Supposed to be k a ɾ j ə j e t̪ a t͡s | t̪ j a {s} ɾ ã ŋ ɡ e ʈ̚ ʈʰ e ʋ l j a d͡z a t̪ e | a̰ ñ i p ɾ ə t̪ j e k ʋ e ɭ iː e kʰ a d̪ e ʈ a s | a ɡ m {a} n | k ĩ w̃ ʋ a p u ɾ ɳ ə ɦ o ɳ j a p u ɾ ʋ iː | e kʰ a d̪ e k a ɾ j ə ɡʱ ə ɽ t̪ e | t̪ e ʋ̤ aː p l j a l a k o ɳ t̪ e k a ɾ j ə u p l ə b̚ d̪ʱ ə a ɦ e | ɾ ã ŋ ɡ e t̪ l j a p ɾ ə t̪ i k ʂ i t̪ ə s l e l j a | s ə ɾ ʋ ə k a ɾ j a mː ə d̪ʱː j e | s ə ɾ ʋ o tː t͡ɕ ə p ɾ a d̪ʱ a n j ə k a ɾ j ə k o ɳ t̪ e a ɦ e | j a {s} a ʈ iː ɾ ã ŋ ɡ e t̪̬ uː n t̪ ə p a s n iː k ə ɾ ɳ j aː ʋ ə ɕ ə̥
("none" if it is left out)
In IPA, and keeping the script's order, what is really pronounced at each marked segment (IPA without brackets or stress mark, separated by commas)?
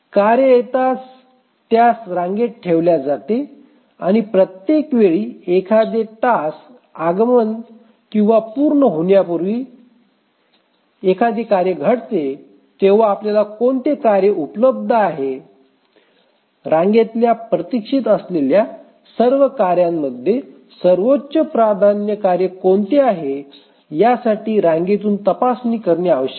s, ə, s